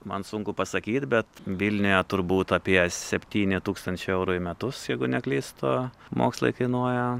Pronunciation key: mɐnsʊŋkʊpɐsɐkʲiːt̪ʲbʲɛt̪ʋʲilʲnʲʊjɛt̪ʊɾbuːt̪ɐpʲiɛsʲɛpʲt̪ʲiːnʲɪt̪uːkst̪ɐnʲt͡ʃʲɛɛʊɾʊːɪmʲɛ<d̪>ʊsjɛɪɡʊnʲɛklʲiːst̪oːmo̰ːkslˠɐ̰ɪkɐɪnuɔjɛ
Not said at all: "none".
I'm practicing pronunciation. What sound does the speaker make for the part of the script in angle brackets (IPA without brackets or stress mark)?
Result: t̪